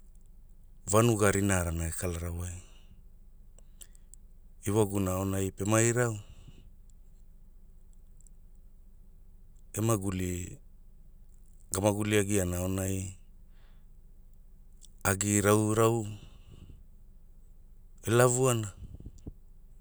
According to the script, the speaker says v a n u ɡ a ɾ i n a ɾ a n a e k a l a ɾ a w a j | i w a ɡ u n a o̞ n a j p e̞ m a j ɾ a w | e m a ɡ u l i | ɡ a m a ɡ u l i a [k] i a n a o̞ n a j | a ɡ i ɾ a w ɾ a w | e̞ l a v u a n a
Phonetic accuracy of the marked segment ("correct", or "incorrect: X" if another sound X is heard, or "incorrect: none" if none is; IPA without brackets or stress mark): incorrect: ɡ